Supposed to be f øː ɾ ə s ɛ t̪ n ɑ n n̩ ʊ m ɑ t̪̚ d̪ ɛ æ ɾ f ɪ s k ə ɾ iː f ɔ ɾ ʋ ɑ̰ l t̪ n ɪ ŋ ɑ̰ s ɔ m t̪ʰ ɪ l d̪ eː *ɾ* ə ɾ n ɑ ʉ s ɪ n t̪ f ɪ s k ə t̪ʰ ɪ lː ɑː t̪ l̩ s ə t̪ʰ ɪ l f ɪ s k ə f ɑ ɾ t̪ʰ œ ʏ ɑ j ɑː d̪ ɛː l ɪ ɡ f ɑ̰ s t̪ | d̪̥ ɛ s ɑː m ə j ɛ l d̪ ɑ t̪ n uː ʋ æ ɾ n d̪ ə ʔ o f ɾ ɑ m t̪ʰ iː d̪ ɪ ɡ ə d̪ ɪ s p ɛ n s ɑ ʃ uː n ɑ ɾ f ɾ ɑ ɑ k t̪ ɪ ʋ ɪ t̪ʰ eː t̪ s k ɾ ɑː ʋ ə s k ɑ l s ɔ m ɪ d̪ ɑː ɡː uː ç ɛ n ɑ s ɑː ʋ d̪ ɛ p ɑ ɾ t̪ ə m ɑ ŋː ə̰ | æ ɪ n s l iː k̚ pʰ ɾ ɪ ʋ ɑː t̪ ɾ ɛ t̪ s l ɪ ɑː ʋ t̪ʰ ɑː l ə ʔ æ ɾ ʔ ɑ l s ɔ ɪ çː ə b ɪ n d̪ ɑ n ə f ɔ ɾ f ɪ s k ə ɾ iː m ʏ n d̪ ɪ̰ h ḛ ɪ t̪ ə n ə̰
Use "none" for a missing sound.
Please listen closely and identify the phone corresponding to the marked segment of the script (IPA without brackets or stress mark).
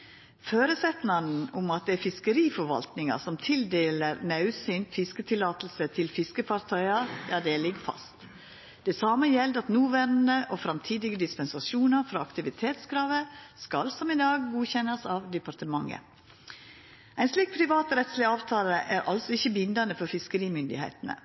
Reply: l